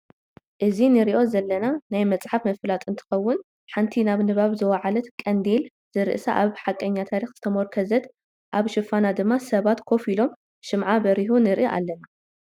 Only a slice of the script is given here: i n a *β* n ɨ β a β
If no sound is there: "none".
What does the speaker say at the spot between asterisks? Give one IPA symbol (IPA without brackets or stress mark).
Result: β